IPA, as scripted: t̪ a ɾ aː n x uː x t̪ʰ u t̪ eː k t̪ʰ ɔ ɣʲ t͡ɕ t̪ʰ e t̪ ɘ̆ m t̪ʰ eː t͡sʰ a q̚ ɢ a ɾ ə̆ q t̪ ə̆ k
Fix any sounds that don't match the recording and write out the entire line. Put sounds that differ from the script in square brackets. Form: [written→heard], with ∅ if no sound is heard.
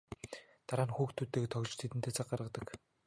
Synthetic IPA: t̪ a ɾ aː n x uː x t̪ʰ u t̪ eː k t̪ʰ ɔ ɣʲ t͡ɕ t̪ʰ e t̪ ɘ̆ [m→n] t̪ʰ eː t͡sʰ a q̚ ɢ a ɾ ə̆ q t̪ ə̆ k